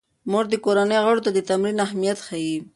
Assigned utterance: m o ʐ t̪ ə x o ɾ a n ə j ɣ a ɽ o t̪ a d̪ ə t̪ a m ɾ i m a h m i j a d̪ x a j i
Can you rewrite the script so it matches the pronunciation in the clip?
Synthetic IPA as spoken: m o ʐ d̪ ə k o ɾ a n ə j ɣ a ɽ o t̪ a d̪ ə t̪ a m ɾ i n a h m i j a t̪ x a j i

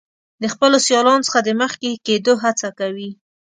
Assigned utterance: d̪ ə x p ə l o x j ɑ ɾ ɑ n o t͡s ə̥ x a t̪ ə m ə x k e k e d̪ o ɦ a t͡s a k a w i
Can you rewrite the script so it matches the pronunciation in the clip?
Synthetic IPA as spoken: d̪ ə x p ə l o s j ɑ l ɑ n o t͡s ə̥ x a d̪ ə m ə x k e k e d̪ o ɦ a t͡s a k a w i

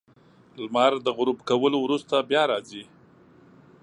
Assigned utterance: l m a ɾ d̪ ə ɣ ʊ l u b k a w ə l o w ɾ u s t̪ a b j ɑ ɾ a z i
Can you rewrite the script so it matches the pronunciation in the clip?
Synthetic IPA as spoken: l m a ɾ d̪ ə ɣ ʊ ɾ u b k a w ə l o w ɾ u s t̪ a b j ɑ ɾ ɑ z i

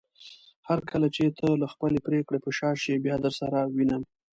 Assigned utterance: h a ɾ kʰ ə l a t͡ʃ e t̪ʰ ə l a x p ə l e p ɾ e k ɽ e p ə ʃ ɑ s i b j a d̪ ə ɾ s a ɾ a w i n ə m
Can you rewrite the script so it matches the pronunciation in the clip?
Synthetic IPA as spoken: h a ɾ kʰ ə l a t͡ʃ e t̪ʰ ə l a x p ə l e p ɾ e k ɽ e p ə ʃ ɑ ʃ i b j ɑ d̪ ə ɾ s a ɾ a w i n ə m

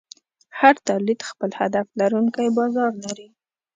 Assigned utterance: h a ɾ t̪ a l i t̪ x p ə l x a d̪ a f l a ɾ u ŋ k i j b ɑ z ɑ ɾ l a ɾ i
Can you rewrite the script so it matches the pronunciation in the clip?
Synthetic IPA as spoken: h a ɾ t̪ a l i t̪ x p ə l h a d̪ a f l a ɾ u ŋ k a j b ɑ z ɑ ɾ l a ɾ i

